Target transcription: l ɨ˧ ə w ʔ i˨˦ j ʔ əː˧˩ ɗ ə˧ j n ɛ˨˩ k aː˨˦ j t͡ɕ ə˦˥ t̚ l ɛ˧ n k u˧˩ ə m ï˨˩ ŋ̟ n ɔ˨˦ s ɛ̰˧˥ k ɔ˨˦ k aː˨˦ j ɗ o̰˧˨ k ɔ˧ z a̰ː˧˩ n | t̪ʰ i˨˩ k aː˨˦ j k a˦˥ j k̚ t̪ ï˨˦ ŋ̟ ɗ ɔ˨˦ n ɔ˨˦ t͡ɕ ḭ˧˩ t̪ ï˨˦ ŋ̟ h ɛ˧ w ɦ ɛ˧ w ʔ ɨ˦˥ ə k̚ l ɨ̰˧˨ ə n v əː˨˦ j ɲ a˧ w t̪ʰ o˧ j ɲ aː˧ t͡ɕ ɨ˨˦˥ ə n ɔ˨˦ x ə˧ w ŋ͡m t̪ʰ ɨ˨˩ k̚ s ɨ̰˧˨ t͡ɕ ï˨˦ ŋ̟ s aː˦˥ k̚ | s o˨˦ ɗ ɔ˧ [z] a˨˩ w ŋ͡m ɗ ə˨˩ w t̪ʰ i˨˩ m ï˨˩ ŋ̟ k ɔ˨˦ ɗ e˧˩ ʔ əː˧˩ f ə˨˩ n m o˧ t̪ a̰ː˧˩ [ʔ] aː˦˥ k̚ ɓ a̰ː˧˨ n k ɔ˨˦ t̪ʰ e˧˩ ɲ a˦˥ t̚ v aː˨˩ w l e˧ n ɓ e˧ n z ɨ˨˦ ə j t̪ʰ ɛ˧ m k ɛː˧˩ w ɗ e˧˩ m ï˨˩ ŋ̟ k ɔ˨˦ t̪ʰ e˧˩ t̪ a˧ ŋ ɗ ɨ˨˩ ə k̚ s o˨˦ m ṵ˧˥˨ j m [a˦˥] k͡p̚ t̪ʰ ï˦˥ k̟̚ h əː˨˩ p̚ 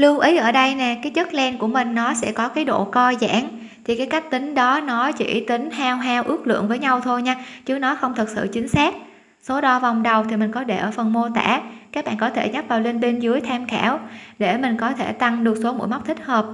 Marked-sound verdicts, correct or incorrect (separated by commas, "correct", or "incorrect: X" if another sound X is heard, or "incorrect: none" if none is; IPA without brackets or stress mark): incorrect: v, incorrect: k, correct